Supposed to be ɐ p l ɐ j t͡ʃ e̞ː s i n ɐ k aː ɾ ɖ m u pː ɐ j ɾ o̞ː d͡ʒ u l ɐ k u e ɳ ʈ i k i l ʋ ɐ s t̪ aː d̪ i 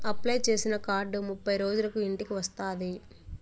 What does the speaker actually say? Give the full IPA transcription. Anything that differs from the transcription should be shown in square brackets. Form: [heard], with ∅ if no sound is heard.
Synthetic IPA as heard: ɐ p l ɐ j t͡ʃ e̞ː s i n ɐ k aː ɾ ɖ m u pː ɐ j ɾ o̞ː d͡ʒ u l ɐ k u [i] ɳ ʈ i k i [∅] ʋ ɐ s t̪ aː d̪ i